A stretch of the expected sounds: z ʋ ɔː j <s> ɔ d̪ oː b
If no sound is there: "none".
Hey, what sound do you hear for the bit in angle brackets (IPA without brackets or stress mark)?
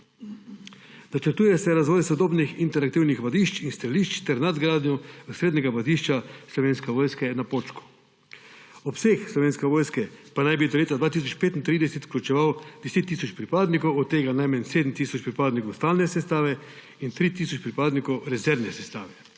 s